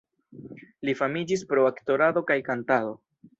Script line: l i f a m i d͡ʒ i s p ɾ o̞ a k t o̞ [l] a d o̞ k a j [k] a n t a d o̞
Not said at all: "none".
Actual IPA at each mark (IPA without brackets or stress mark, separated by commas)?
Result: ɾ, k